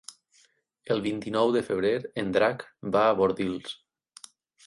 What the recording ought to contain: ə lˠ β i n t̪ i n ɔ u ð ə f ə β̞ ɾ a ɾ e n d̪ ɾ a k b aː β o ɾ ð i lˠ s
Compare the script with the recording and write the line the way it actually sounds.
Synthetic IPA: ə lˠ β i n t̪ i n ɔ w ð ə f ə β̞ ɾ e ɾ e n d̪ ɾ a k b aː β o ɾ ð i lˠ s

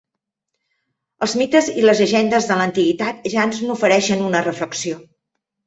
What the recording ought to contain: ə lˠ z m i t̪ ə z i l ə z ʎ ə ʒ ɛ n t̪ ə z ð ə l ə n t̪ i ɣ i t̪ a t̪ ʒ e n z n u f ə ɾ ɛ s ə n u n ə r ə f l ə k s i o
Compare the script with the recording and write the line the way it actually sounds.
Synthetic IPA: ə lˠ z m i t̪ ə z i l ə z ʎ ə ʒ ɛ n d̪ ə z ð ə l ə n t̪ i ɣ i t̪ a t̪ ʒ a n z n u f ə ɾ ɛ ʃ ə n u n ə r ə f l ə k s i o

